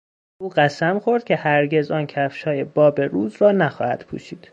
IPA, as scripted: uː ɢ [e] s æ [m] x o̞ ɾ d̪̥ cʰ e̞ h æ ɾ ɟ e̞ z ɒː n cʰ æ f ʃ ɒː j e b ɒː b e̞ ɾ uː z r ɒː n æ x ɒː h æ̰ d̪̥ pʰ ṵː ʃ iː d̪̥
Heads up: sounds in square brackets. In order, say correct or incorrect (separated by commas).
incorrect, correct